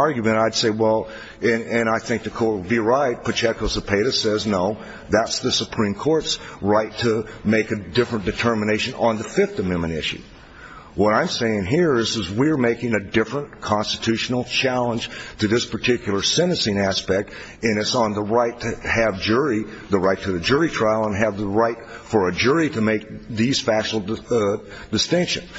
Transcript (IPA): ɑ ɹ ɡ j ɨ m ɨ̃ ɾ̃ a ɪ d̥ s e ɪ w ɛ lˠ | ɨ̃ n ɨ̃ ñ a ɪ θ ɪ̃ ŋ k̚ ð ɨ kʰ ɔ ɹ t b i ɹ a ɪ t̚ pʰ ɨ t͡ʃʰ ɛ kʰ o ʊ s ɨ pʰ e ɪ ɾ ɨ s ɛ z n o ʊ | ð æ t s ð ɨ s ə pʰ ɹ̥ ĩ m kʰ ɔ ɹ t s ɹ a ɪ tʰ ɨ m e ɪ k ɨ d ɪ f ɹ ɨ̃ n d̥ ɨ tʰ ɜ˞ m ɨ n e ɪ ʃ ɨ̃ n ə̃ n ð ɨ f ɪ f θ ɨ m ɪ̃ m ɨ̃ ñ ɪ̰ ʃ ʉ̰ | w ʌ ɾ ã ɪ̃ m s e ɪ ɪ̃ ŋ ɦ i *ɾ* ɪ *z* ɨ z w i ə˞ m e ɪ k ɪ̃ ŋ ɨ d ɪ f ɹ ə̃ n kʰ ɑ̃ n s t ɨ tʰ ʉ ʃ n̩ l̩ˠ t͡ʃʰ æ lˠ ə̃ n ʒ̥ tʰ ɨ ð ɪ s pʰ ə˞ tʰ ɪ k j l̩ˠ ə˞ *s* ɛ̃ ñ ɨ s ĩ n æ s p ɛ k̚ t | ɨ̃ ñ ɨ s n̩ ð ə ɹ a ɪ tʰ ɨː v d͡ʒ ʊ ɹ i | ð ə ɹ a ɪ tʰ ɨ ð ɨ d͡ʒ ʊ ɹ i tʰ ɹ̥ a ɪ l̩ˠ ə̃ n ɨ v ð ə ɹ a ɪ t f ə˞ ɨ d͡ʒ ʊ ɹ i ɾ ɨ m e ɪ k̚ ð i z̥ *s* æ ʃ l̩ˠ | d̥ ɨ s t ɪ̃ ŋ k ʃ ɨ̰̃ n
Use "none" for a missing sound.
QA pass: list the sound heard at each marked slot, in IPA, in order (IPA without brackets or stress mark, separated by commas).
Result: ɹ, z, s, f